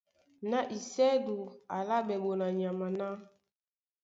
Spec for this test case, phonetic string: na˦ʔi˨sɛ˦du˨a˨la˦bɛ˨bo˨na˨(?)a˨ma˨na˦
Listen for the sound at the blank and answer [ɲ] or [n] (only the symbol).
ɲ